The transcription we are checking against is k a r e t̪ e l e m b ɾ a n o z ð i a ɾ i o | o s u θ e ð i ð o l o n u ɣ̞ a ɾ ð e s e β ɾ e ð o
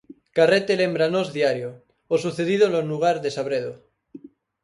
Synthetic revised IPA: k a r e t̪ e l e m b ɾ a n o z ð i a ɾ j o | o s u θ e ð i ð o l o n u ɣ̞ a ɾ ð e s a β ɾ e ð o